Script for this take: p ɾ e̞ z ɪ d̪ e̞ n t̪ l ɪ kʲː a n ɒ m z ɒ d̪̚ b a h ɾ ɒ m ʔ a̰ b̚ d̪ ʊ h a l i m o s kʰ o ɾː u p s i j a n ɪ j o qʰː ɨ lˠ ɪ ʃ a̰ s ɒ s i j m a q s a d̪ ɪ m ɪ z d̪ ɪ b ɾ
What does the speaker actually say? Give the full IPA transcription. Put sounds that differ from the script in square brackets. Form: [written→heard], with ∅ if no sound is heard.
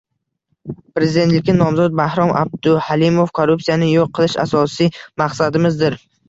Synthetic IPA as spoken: p ɾ e̞ z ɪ d̪ e̞ n t̪ l ɪ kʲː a n ɒ m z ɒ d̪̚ b a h ɾ ɒ m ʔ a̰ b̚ d̪ ʊ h a l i m o [s→f] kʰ o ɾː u p s i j a n ɪ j o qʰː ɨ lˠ ɪ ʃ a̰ s ɒ s i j m a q s a d̪ ɪ m ɪ z d̪ ɪ [b→∅] ɾ